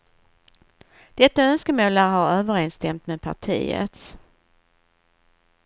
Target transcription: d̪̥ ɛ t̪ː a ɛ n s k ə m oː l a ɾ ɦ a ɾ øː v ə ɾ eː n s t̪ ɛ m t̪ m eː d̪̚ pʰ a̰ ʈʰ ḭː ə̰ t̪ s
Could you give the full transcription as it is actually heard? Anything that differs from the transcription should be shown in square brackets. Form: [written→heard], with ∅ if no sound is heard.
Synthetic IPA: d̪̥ ɛ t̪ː a [ɛ→œ] n s k ə m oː l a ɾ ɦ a ɾ øː v ə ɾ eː n s t̪ ɛ m t̪ m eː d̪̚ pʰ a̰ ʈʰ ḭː ə̰ t̪ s